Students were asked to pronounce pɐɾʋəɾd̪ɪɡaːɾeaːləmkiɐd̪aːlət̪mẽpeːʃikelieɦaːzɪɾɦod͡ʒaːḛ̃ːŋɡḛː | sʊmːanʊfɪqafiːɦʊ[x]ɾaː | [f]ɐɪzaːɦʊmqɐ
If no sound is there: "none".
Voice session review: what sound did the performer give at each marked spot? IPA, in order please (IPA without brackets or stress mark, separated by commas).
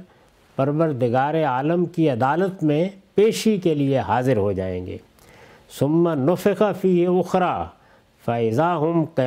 x, f